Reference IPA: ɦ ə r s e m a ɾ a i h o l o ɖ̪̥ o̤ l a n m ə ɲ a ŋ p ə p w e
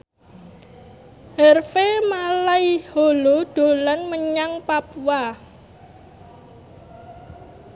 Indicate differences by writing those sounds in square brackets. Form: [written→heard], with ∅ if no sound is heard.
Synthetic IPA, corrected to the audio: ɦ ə r [s→f] e m a [ɾ→l] a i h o l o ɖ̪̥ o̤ l a n m ə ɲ a ŋ p [ə→a] p w [e→a]